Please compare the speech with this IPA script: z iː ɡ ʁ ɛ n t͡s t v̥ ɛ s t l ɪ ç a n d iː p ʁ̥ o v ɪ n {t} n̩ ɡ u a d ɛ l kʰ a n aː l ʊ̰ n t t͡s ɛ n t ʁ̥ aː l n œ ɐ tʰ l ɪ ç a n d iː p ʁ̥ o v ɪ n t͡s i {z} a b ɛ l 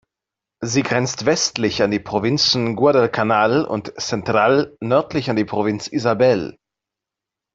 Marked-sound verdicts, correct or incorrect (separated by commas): incorrect, correct